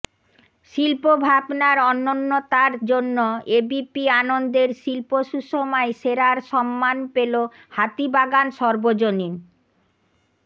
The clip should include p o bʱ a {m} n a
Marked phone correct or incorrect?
incorrect